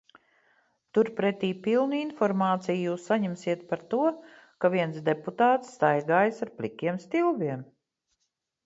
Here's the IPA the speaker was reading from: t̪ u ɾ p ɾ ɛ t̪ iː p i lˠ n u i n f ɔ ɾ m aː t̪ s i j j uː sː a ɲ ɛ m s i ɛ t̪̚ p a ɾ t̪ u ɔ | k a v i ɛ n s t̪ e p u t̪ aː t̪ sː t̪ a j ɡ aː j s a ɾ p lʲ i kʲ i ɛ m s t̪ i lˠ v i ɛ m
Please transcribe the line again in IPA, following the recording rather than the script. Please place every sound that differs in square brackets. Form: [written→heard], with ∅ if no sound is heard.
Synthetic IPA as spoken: t̪ u ɾ p ɾ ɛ t̪ iː p i lˠ n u i n f ɔ ɾ m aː t̪ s i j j uː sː a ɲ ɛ m s i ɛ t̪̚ p a ɾ t̪ u ɔ | k a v i ɛ n s [t̪→d̪] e p u t̪ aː t̪ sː t̪ a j ɡ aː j s a ɾ p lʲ i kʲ i ɛ m s t̪ i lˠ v i ɛ m